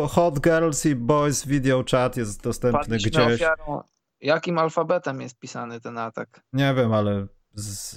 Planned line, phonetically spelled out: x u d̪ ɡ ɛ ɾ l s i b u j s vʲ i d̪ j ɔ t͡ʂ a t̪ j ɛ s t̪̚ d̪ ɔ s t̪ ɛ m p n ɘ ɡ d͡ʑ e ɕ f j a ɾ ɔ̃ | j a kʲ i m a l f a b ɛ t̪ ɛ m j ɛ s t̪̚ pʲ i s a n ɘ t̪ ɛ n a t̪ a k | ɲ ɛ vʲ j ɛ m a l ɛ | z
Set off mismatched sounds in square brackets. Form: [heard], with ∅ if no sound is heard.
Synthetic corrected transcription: x [ɔ] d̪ ɡ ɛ ɾ l s i b [ɔ] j s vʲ i d̪ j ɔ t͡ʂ a t̪ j ɛ s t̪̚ d̪ ɔ s t̪ ɛ m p n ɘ ɡ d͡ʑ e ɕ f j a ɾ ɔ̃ | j a kʲ i m a l f a b ɛ t̪ ɛ m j ɛ s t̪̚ pʲ i s a n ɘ t̪ ɛ n a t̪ a k | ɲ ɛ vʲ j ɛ m a l ɛ | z